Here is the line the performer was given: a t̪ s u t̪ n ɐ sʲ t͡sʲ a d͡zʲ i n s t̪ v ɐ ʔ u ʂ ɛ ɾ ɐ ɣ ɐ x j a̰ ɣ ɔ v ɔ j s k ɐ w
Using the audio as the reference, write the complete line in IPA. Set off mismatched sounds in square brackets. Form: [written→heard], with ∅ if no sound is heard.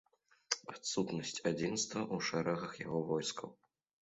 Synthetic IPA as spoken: a t̪ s u t̪ n ɐ sʲ t͡sʲ a d͡zʲ i n s t̪ v ɐ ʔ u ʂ ɛ ɾ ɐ ɣ ɐ x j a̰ ɣ ɔ v ɔ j s k ɐ w